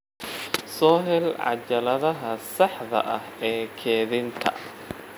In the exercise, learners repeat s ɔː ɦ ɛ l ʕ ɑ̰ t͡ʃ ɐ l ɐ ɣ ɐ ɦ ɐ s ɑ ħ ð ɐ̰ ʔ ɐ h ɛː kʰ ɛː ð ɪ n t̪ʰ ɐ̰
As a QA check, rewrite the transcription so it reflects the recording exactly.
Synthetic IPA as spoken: s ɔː ɦ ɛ l ʕ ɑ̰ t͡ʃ ɐ l ɐ ð ɐ ɦ ɐ s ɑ ħ ð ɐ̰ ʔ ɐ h ɛː kʰ ɛː ð ɪ n t̪ʰ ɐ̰